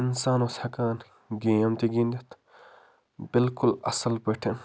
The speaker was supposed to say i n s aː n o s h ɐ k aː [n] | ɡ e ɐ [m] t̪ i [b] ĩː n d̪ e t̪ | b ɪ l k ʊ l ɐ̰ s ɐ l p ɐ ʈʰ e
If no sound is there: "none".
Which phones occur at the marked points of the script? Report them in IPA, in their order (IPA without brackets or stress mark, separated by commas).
n, m, ɡ